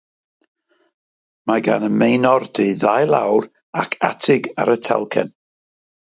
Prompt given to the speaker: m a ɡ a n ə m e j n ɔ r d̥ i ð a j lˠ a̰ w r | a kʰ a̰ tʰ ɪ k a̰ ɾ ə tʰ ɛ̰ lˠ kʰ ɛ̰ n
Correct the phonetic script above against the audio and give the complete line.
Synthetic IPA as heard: m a ɡ a n ə m e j n ɔ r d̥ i ð a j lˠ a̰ w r | a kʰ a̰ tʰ ɪ ɡ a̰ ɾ ə tʰ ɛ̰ lˠ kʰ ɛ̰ n